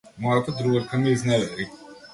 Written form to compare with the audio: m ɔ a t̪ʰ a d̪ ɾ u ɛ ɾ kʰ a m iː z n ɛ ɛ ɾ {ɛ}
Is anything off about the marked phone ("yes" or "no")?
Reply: yes